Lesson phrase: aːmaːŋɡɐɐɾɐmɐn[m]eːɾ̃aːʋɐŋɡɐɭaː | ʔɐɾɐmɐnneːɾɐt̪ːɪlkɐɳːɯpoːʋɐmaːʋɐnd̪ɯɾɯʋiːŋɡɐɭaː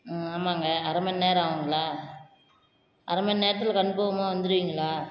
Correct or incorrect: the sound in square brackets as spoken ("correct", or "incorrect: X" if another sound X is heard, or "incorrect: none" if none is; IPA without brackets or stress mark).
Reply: incorrect: n